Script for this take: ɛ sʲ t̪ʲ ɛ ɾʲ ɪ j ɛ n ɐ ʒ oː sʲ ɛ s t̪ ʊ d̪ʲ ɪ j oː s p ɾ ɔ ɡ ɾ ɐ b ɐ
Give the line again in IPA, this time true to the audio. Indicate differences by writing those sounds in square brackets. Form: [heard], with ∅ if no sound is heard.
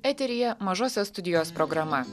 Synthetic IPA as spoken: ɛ [∅] t̪ʲ ɛ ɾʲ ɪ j ɛ [m] ɐ ʒ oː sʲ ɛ s t̪ ʊ d̪ʲ ɪ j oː s p ɾ ɔ ɡ ɾ ɐ [m] ɐ